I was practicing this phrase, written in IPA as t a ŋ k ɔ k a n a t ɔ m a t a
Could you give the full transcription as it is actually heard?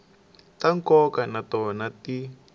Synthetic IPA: t a ŋ k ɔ k a n a t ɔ n a t i